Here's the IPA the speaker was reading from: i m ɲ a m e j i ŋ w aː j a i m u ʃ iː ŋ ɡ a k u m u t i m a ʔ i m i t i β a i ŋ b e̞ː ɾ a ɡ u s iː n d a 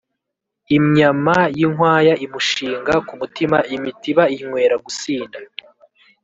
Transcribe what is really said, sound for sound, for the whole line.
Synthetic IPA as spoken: i m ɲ a m a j i ŋ w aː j a i m u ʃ iː ŋ ɡ a k u m u t i m a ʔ i m i t i β a i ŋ w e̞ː ɾ a ɡ u s iː n d a